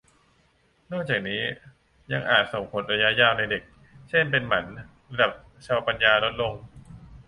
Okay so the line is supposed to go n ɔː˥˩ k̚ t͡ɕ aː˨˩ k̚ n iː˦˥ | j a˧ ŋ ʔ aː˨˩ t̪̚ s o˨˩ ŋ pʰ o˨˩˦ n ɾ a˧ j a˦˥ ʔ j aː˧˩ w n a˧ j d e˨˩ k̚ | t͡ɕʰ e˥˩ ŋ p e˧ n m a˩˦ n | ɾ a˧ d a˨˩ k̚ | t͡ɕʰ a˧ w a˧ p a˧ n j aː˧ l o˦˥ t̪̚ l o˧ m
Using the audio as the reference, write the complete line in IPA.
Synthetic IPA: n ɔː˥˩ k̚ t͡ɕ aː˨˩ k̚ n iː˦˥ | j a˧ ŋ ʔ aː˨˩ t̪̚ s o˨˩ ŋ pʰ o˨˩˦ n ɾ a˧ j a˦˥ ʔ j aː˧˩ w n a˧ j d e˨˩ k̚ | t͡ɕʰ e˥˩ n p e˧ n m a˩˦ n | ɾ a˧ d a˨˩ p̚ | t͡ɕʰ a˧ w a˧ p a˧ n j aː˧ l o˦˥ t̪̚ l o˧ ŋ